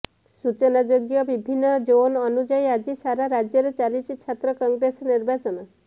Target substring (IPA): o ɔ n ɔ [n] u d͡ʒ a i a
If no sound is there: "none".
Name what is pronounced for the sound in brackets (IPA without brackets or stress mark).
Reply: n